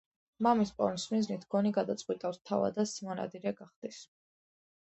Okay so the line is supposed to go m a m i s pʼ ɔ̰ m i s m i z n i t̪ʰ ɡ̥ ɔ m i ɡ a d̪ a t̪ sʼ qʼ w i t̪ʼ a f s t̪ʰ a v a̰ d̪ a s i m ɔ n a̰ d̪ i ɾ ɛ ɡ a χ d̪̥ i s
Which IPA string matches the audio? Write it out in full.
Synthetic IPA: m a m i s pʼ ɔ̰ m i s m i z n i t̪ʰ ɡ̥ ɔ n i ɡ a d̪ a t̪ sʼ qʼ w i t̪ʼ a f s t̪ʰ a v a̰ d̪ a s i m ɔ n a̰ d̪ i ɾ ɛ ɡ a χ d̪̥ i s